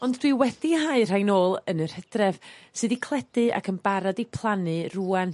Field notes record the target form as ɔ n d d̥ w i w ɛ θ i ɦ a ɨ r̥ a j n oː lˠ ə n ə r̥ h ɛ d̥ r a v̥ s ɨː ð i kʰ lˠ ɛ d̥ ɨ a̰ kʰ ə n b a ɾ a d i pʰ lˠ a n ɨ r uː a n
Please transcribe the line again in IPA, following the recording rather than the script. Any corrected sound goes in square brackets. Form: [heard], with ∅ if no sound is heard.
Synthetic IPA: ɔ n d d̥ w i w ɛ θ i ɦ a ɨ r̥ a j n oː lˠ ə n ə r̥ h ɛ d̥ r [ɛ] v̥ s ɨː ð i kʰ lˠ ɛ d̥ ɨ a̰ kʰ ə n b a ɾ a d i pʰ lˠ a n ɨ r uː a n